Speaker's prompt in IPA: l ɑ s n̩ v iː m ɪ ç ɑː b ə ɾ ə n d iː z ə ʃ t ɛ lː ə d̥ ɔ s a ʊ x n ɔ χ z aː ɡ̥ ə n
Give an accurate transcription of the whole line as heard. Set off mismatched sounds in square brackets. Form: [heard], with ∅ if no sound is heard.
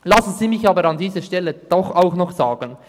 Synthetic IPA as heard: l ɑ s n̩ [z] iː m ɪ ç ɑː b ə ɾ [ɑ] n d iː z ə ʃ t ɛ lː ə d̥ ɔ [χ] a ʊ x n ɔ χ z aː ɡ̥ ə n